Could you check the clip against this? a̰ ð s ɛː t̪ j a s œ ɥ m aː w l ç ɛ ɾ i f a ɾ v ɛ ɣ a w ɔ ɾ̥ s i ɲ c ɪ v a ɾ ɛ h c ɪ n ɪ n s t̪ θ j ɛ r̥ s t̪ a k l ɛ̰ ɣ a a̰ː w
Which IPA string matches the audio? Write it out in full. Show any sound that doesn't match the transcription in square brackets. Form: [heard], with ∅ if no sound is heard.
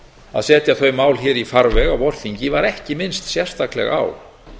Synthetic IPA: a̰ ð s ɛː t̪ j a [θ] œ ɥ m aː w l ç ɛ ɾ i f a ɾ v ɛ ɣ a w ɔ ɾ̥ [θ] i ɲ c ɪ v a ɾ ɛ h c ɪ [m] ɪ n s t̪ [s] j ɛ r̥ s t̪ a k l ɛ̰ ɣ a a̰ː w

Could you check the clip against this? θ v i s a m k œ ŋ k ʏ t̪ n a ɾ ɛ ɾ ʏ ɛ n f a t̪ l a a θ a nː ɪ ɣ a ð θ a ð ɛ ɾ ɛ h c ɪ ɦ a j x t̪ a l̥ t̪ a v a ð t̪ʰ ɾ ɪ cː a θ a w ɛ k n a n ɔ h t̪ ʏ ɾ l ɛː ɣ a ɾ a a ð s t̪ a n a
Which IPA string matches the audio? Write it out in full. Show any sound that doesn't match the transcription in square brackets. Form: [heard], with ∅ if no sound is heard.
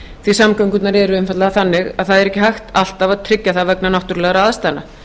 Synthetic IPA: θ v i s a m k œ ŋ k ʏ t̪ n a ɾ ɛ ɾ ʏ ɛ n f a t̪ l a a θ a nː ɪ ɣ a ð θ a ð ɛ ɾ ɛ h c ɪ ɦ a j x t̪ a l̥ t̪ a v a ð t̪ʰ ɾ ɪ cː a θ a [v] ɛ k n a n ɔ h t̪ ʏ ɾ l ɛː ɣ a ɾ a a ð s t̪ a n a

